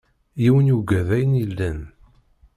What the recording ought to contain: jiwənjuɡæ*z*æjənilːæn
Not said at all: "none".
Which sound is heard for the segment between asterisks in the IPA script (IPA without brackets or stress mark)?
ð